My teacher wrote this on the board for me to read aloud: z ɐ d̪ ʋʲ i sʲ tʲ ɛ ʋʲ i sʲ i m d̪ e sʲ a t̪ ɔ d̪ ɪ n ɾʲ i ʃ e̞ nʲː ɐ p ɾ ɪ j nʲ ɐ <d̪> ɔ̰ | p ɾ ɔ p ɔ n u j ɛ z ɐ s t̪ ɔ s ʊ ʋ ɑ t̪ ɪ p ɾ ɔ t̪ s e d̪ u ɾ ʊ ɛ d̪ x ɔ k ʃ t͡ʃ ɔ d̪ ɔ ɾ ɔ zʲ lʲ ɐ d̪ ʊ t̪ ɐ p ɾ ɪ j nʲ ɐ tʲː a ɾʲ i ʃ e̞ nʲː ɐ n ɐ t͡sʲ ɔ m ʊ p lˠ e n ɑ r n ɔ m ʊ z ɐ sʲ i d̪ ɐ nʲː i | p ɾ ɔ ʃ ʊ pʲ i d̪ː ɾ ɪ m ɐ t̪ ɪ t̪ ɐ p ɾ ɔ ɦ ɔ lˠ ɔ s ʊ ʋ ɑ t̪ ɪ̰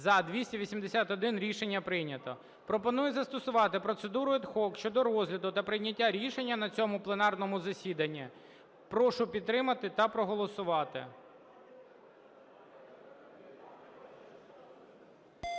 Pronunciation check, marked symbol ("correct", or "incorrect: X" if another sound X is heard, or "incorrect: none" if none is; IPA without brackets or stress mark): incorrect: t̪